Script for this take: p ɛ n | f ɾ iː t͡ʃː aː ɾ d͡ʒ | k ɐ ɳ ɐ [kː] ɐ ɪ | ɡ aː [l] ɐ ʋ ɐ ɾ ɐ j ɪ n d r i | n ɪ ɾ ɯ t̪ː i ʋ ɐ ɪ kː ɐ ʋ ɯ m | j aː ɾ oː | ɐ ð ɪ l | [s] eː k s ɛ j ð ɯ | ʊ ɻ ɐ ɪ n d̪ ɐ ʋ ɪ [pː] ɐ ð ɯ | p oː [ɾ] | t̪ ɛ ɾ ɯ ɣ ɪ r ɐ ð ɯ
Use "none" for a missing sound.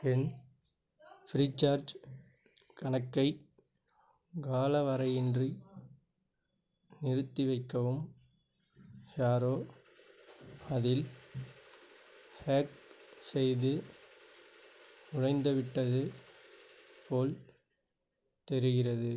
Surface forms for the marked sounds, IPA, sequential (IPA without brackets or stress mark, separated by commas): kː, l, h, ʈː, l